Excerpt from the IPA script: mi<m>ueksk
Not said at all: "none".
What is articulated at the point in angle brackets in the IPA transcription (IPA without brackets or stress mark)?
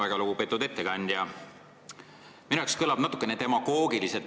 n